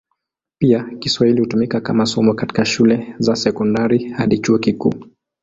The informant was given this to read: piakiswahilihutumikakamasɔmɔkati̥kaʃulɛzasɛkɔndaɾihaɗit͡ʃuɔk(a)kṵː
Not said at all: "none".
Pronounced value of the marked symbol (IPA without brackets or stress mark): i